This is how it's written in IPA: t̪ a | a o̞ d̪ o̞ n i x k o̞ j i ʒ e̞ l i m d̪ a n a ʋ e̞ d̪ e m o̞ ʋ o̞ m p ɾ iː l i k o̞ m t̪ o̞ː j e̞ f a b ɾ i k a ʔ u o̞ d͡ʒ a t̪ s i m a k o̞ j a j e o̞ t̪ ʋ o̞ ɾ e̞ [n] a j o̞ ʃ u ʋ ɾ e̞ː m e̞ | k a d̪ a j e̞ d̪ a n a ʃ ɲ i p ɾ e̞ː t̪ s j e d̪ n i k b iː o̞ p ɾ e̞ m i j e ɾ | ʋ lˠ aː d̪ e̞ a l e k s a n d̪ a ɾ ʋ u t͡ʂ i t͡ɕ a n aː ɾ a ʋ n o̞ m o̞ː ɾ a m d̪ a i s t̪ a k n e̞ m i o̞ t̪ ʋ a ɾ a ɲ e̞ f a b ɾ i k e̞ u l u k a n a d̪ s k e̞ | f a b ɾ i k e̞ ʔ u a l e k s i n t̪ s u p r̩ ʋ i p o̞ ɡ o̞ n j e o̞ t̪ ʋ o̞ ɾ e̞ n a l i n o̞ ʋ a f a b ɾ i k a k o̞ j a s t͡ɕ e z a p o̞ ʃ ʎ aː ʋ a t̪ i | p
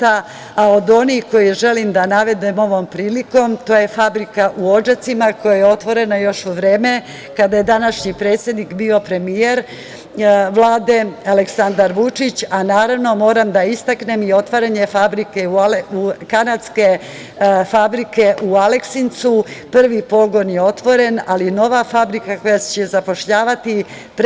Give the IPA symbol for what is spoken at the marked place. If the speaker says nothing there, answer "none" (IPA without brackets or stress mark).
n